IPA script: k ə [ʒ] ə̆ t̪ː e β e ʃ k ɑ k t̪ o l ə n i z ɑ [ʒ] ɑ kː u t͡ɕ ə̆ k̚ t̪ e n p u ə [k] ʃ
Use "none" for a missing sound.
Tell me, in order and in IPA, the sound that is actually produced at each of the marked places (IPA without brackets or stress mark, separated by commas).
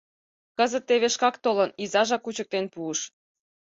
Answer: z, ʒ, none